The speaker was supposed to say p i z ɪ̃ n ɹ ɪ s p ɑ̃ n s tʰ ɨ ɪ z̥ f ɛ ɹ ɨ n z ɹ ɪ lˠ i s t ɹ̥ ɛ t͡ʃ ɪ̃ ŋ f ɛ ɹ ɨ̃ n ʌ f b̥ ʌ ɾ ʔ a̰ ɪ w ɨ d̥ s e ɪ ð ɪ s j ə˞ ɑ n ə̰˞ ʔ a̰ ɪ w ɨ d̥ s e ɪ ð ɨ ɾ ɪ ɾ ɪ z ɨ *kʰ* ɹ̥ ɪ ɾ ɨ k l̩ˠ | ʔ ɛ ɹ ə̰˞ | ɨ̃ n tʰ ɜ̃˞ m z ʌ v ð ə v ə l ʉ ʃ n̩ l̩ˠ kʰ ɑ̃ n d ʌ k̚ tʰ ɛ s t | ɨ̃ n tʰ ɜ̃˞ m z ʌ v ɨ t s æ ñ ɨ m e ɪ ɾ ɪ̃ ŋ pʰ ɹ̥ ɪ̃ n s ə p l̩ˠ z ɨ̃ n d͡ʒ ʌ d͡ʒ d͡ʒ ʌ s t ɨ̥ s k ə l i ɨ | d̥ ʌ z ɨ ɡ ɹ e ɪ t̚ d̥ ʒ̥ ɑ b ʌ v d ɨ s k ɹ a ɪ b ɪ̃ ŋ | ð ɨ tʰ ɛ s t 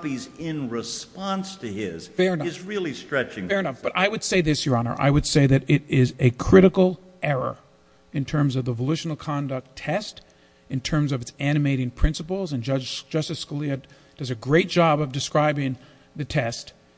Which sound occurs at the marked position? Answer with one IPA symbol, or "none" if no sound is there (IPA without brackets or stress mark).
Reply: kʰ